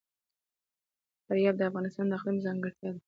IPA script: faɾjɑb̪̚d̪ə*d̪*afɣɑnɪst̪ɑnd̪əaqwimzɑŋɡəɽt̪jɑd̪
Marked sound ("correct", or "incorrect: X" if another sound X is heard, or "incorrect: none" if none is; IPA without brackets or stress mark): incorrect: none